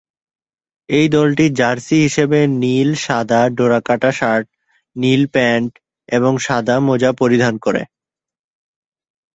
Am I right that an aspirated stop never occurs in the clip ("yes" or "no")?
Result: yes